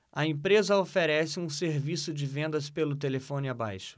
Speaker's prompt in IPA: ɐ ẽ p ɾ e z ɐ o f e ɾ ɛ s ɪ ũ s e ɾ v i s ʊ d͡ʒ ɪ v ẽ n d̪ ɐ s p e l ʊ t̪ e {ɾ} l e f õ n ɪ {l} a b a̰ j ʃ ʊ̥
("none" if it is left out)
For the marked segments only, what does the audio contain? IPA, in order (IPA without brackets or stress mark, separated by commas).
none, none